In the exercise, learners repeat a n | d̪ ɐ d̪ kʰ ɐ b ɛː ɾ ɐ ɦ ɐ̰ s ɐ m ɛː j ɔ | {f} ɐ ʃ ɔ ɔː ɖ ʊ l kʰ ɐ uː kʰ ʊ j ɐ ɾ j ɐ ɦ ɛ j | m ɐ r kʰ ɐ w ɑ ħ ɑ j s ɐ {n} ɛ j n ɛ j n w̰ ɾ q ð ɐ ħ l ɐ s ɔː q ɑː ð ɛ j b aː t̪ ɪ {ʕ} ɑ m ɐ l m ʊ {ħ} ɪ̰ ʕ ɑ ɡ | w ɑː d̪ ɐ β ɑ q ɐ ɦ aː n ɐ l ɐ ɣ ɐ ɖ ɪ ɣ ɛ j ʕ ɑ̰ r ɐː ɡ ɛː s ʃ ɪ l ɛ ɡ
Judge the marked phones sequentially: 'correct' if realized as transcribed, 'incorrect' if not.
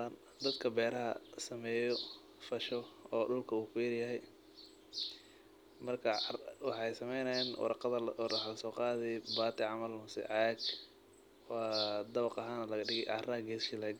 correct, incorrect: m, correct, incorrect: s

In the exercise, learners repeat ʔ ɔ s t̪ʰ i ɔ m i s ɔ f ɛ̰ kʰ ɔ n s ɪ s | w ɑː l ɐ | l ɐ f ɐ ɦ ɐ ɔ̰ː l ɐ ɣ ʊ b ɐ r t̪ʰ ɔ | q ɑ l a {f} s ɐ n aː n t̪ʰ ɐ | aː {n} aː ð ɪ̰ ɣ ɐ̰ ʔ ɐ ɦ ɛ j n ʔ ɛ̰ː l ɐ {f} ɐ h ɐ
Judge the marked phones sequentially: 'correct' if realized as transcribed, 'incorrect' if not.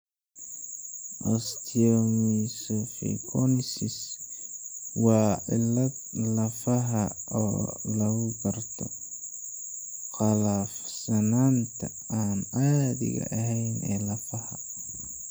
correct, correct, correct

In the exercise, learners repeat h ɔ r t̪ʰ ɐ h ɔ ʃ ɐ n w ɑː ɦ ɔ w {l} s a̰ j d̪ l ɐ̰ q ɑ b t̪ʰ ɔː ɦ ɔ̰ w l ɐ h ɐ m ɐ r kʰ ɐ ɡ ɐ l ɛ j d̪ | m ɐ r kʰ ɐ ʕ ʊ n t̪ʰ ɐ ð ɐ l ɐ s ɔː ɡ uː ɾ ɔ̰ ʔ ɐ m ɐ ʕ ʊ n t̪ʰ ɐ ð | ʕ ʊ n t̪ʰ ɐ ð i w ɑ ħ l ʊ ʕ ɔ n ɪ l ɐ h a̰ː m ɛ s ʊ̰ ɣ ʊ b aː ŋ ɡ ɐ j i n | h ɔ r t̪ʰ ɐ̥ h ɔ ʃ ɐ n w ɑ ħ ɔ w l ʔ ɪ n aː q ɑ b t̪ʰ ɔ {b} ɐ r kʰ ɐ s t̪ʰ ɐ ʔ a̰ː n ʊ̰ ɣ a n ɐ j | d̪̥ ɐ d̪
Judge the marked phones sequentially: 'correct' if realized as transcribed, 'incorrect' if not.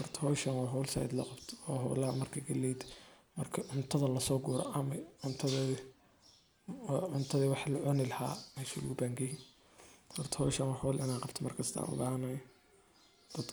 correct, incorrect: m

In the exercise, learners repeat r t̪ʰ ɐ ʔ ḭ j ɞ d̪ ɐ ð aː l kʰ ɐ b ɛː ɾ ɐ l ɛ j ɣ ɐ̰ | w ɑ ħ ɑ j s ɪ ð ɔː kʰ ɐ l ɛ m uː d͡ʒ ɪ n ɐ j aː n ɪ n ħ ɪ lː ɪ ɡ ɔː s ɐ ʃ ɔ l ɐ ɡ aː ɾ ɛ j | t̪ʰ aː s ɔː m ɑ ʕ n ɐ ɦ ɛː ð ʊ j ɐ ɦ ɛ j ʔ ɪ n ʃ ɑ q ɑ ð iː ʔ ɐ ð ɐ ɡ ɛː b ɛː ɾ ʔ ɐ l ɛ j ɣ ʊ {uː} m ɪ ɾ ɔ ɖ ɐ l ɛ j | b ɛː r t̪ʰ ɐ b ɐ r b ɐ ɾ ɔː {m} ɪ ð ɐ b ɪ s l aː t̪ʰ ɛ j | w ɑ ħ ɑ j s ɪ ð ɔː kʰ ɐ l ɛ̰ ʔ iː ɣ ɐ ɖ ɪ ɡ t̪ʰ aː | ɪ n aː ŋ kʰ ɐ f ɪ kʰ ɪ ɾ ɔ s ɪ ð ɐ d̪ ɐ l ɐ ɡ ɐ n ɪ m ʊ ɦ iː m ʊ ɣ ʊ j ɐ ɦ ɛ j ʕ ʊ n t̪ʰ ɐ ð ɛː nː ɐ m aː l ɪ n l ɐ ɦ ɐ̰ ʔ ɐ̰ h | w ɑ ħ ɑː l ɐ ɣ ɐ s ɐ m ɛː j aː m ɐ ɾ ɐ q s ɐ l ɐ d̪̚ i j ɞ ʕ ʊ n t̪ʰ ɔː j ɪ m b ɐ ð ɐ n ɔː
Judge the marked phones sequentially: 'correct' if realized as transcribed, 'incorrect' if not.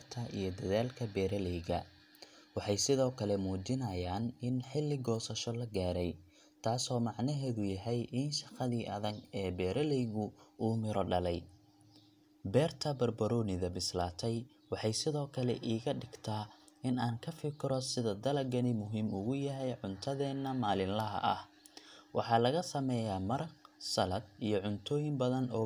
correct, incorrect: n

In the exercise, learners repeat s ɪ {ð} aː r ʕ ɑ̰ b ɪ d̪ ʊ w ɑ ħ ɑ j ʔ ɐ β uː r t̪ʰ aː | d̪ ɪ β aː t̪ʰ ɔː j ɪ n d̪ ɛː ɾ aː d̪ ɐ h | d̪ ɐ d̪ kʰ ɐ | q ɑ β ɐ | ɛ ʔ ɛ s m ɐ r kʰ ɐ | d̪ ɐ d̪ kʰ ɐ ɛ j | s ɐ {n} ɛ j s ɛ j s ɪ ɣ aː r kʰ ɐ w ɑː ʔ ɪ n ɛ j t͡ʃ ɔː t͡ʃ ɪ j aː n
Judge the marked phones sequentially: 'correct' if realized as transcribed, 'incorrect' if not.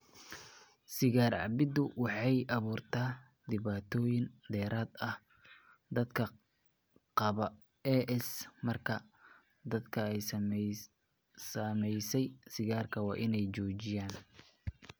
incorrect: ɣ, incorrect: m

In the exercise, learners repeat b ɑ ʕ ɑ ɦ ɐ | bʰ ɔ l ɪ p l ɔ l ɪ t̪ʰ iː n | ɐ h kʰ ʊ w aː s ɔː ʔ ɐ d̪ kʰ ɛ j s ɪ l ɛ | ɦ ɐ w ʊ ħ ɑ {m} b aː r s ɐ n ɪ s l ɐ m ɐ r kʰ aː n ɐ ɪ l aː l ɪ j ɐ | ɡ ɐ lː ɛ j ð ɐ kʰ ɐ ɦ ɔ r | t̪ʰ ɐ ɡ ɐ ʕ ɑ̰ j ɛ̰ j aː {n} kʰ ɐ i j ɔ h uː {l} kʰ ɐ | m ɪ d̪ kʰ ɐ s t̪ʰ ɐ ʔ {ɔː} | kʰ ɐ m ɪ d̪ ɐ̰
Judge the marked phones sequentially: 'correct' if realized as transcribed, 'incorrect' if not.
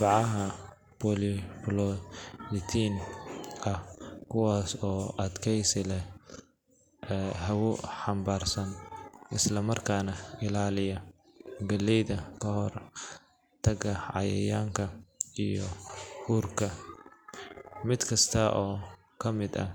correct, incorrect: ŋ, incorrect: r, correct

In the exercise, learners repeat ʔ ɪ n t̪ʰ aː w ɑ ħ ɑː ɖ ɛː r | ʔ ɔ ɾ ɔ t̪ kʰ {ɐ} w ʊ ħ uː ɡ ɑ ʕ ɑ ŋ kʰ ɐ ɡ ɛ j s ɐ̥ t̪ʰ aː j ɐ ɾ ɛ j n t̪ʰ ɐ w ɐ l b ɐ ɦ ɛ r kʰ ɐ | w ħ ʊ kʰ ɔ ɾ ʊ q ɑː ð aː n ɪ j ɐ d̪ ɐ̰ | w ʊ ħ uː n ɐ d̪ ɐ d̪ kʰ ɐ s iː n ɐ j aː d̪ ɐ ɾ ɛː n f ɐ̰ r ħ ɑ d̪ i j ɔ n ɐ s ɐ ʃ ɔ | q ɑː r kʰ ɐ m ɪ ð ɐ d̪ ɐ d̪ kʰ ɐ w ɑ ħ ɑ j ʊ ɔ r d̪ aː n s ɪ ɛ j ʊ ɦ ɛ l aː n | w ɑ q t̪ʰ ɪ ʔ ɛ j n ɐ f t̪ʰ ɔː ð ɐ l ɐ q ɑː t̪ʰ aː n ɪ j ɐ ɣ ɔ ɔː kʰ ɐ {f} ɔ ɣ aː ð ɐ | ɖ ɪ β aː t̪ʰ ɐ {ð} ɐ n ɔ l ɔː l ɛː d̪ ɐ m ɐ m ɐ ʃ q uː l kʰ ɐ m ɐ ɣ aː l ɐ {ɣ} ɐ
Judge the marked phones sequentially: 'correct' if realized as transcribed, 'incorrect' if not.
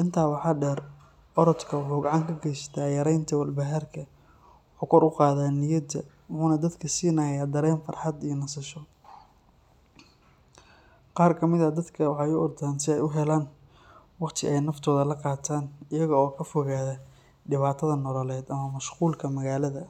correct, correct, correct, incorrect: ð

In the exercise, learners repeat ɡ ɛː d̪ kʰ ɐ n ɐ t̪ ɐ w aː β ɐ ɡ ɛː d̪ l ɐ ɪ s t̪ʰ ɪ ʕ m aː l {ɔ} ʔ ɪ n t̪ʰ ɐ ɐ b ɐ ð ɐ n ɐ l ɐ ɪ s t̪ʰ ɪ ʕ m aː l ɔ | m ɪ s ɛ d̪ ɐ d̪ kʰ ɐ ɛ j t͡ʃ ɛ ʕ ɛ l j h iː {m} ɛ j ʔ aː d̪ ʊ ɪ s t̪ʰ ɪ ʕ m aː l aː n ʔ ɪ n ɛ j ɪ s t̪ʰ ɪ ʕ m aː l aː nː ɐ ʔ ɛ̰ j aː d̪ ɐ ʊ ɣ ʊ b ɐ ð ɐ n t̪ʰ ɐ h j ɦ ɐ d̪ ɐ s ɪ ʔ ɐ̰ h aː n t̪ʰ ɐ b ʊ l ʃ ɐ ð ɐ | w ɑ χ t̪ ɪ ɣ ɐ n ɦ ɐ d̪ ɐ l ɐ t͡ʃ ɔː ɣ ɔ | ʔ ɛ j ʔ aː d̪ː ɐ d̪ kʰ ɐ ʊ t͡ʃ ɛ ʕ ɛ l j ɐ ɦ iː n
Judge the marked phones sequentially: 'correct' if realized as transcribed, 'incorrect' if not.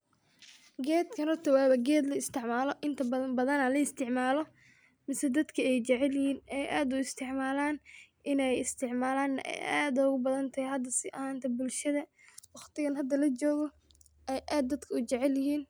correct, incorrect: n

